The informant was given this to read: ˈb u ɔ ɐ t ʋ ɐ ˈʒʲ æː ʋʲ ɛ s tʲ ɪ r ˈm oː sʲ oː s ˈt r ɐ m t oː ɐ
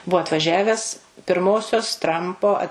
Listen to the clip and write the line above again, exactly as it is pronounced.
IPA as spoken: ˈb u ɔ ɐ t ʋ ɐ ˈʒʲ æː ʋʲ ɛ s pʲ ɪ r ˈm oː sʲ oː s ˈt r ɐ m p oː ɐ